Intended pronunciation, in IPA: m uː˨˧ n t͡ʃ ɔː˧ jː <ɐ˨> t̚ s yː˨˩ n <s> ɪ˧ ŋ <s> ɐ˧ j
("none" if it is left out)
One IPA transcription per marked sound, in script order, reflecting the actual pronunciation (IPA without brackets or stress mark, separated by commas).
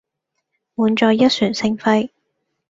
ɐ˥, s, f